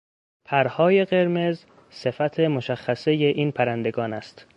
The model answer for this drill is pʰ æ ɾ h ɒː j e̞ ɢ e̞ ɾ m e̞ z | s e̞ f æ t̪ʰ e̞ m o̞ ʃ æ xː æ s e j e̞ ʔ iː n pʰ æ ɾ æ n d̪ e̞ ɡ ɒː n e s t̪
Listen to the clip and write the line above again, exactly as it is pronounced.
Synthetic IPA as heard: pʰ æ ɾ h ɒː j e̞ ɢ e̞ ɾ m e̞ z | s e̞ f æ t̪ʰ e̞ m o̞ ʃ æ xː æ s e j e̞ ʔ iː n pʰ æ ɾ æ n d̪ e̞ ɡ ɒː n æ s t̪